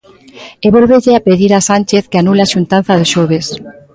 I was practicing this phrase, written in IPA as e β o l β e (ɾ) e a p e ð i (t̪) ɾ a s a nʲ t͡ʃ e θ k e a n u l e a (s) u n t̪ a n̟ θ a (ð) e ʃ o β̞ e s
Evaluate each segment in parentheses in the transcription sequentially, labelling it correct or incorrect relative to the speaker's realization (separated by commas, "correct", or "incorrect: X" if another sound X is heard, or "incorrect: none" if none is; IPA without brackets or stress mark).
incorrect: ʎ, incorrect: none, incorrect: ʃ, correct